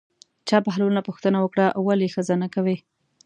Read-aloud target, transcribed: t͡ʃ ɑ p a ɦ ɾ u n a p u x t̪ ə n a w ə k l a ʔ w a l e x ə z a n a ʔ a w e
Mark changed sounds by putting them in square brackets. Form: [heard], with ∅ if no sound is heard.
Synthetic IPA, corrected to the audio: t͡ʃ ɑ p a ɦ [l] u n a p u x t̪ ə n a w ə k [ɽ] a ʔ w a l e x ə z a n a [k] a w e